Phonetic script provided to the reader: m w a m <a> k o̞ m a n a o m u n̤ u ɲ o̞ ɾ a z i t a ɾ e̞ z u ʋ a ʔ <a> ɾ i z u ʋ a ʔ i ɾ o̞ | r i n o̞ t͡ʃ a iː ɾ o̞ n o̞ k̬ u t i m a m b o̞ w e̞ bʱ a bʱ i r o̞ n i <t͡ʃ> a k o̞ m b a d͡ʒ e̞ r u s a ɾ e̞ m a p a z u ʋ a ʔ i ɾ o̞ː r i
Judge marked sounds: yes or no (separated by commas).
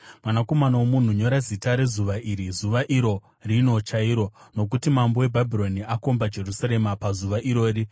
yes, no, no